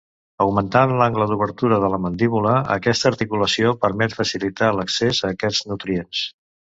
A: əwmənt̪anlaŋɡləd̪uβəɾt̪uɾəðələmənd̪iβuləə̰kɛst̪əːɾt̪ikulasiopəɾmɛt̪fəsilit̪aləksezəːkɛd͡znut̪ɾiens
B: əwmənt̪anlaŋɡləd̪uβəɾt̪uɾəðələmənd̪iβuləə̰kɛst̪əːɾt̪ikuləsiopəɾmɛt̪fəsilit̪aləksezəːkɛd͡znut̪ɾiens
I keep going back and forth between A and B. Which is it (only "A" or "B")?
B